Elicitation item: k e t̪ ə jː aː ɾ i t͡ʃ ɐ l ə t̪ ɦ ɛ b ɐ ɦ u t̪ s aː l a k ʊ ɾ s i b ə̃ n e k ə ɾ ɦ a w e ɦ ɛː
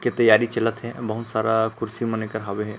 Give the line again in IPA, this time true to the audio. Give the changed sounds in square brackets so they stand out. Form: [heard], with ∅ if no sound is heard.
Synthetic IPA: k e t̪ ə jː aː ɾ i t͡ʃ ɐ l ə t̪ ɦ ɛ b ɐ ɦ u t̪ s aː [ɾ] a k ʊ ɾ s i [m] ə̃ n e k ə ɾ ɦ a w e ɦ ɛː